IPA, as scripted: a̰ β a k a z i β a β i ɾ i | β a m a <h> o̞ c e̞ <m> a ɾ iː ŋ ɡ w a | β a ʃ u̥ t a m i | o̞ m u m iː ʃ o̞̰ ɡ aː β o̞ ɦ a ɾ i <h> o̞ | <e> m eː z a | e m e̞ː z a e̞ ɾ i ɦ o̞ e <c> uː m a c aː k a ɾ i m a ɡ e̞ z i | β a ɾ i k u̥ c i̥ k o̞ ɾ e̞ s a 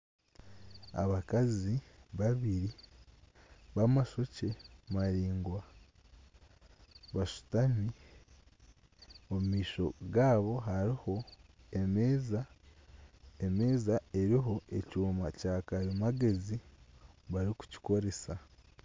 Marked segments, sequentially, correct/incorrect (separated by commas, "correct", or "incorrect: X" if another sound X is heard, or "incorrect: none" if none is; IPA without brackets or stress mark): incorrect: ʃ, correct, correct, correct, correct